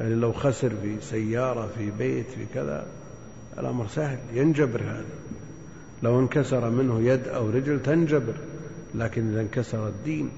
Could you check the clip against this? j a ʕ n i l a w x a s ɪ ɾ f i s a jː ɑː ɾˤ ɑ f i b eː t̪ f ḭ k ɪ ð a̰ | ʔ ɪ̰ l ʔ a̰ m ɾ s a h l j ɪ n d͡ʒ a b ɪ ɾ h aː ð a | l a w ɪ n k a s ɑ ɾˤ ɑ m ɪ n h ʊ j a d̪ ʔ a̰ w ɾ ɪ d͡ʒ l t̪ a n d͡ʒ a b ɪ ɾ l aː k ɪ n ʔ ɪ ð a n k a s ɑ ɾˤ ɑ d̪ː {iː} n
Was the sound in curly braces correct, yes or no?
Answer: yes